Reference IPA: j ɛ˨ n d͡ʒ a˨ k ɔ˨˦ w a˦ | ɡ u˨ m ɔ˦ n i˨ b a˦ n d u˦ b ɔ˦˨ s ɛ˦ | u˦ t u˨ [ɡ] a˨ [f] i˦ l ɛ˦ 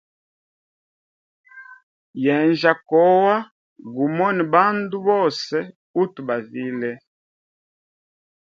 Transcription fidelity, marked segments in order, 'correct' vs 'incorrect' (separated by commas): incorrect, incorrect